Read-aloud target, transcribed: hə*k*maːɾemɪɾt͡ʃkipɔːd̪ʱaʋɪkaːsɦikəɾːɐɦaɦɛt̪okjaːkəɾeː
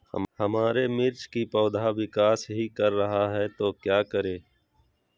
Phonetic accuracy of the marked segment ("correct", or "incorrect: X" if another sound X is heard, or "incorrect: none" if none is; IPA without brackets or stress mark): incorrect: none